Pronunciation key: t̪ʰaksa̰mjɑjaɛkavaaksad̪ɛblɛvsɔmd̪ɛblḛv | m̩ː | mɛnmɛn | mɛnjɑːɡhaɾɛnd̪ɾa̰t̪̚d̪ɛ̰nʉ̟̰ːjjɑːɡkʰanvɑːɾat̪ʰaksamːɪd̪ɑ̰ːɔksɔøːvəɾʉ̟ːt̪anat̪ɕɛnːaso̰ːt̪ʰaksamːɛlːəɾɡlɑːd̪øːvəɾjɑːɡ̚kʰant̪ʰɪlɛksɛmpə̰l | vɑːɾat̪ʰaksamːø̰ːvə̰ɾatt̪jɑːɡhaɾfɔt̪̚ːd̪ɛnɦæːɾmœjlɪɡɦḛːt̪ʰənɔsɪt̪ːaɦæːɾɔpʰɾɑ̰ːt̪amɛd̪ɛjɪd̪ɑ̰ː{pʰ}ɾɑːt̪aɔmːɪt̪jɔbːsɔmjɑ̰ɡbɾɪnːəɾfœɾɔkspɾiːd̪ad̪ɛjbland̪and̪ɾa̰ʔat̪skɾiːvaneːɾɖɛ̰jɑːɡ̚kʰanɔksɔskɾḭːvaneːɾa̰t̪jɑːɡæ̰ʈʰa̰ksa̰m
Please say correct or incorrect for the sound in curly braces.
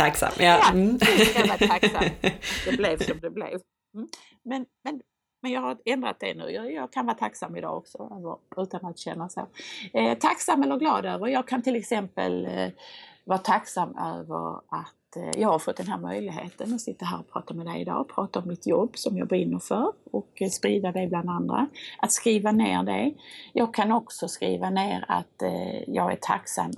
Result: correct